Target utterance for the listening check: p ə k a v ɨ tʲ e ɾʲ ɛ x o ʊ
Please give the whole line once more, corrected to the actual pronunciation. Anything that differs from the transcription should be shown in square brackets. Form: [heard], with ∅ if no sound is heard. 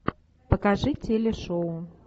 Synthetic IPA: p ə k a [ʐ] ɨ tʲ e [lʲ] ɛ [ʂ] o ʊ